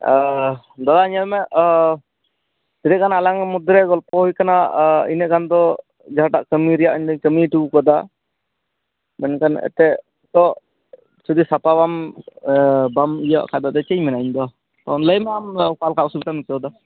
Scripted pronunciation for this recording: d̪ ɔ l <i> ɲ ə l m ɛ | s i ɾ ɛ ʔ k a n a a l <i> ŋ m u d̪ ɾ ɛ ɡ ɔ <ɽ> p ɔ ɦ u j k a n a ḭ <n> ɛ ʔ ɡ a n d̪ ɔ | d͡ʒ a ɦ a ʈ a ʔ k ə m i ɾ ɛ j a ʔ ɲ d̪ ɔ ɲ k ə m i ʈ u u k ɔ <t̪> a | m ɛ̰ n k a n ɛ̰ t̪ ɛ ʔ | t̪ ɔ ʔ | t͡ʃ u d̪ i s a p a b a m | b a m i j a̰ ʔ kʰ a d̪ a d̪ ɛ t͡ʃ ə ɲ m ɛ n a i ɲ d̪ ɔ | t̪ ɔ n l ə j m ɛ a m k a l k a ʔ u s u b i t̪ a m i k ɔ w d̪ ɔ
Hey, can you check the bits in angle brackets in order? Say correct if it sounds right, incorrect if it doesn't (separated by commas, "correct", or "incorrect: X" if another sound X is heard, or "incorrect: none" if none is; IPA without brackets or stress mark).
incorrect: a, incorrect: a, incorrect: l, correct, incorrect: d̪